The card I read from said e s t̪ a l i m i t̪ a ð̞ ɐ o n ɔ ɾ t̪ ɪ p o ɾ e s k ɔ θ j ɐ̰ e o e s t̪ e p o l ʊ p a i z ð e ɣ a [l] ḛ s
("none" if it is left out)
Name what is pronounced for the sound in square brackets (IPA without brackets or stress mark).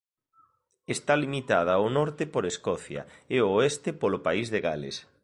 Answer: l